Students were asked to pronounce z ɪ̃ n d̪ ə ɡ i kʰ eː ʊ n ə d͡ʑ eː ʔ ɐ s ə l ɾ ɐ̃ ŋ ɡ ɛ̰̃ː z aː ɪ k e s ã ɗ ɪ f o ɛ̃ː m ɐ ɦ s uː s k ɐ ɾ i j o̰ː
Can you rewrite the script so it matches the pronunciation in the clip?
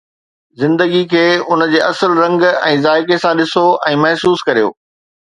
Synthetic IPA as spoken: z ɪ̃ n d̪ ə ɡ i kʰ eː ʊ n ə d͡ʑ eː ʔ ɐ s ə l ɾ ɐ̃ ŋ ɡ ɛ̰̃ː z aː ɪ k e s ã ɗ ɪ s o ɛ̃ː m ɐ ɦ s uː s k ɐ ɾ i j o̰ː